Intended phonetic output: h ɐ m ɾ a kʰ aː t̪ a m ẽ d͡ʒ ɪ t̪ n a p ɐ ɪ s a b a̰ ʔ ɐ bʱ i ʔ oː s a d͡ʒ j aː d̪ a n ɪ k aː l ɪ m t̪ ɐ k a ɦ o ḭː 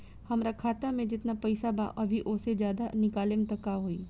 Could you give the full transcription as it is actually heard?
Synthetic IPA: h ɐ m ɾ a kʰ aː t̪ a m ẽ d͡ʒ ɪ t̪ n a p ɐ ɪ s a b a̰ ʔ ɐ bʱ i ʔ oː s e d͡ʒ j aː d̪ a n ɪ k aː l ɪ m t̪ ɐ k a ɦ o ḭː